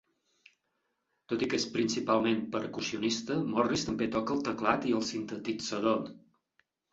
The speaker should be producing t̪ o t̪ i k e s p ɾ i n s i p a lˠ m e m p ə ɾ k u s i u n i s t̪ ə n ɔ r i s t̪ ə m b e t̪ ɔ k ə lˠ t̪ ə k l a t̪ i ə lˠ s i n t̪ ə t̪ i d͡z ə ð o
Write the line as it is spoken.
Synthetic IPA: t̪ o t̪ i k e s p ɾ i n s i p a lˠ m e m p ə ɾ k u s i u n i s t̪ ə m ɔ r i s t̪ ə m b e t̪ ɔ k ə lˠ t̪ ə k l a t̪ i ə lˠ s i n t̪ ə t̪ i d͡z ə ð o